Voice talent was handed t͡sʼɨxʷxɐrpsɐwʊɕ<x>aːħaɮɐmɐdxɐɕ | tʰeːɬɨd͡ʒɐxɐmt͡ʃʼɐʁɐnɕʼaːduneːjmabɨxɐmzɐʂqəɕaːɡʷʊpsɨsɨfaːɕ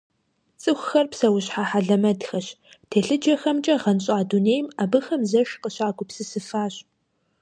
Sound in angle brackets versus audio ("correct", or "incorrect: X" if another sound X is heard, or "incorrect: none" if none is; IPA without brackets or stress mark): incorrect: ħ